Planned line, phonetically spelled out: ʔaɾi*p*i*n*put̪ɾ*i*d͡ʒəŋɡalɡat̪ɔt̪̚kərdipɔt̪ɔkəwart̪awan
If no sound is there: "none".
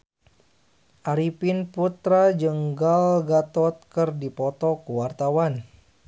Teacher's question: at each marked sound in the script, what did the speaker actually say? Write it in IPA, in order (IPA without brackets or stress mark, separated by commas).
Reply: p, n, a